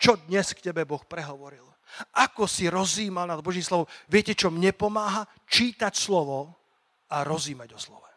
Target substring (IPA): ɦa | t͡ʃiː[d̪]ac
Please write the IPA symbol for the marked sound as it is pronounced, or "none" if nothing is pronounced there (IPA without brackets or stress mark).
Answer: t̪